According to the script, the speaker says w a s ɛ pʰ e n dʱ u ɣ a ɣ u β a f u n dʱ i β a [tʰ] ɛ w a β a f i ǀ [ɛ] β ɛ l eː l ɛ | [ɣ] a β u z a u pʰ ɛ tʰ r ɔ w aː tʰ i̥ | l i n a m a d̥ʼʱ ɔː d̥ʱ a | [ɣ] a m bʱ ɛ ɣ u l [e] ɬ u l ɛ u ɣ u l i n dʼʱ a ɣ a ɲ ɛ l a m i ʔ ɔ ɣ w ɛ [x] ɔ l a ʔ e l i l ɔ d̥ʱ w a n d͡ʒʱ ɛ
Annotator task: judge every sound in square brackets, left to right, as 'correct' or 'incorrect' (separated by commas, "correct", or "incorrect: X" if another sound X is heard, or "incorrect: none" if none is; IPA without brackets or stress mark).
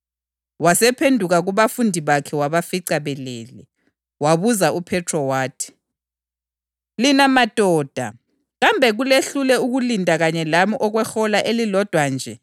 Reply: incorrect: kʰ, incorrect: a, incorrect: w, correct, correct, correct